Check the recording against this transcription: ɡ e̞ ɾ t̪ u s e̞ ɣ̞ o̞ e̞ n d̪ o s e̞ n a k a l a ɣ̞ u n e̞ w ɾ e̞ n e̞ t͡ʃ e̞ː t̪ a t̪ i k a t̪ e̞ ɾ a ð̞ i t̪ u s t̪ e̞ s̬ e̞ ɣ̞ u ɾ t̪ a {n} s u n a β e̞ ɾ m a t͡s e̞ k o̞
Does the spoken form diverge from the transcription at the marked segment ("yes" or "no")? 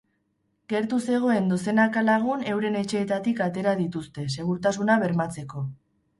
yes